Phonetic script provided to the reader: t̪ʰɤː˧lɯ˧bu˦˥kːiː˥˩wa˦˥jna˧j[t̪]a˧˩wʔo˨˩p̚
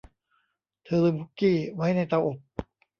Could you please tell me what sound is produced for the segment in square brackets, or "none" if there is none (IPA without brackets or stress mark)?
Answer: t̪